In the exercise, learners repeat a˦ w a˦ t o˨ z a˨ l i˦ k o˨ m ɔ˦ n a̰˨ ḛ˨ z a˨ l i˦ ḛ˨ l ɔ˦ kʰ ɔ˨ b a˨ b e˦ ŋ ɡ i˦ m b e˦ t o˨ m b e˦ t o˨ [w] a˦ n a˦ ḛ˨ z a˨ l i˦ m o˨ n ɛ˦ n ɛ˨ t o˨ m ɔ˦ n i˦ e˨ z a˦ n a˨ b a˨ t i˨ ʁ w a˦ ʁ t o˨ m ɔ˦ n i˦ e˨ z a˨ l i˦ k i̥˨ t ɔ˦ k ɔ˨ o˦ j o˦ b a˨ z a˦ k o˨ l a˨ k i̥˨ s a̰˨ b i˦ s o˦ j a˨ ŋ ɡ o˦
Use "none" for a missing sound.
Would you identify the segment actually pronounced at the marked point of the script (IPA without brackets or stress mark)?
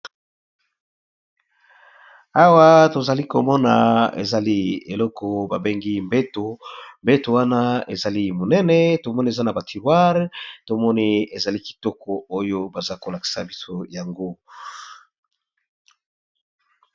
w